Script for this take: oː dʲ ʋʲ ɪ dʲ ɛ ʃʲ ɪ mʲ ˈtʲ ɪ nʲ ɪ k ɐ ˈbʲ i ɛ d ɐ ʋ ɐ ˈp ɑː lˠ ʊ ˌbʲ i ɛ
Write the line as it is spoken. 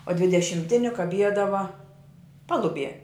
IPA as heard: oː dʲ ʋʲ ɪ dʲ ɛ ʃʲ ɪ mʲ ˈtʲ ɪ nʲ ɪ k ɐ ˈbʲ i ɛ d ɐ ʋ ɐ ˈp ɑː lˠ ʊ ˌbʲ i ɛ